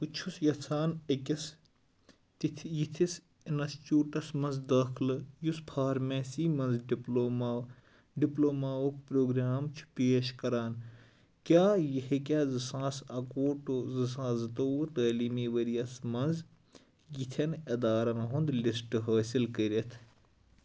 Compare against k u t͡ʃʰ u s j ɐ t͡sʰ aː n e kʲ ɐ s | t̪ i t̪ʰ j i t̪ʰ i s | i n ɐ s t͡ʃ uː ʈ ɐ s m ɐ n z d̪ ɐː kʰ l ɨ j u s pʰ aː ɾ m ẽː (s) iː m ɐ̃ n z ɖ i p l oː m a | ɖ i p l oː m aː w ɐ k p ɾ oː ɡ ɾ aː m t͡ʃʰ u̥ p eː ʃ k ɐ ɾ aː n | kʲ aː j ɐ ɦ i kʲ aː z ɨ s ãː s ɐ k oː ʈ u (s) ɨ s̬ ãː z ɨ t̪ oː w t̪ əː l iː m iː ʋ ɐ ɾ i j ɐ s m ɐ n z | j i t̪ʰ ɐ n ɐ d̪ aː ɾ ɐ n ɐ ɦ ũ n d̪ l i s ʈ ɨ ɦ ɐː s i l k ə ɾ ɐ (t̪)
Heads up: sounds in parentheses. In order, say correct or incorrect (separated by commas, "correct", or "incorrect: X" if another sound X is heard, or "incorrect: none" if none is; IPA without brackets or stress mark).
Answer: correct, incorrect: z, incorrect: t̪ʰ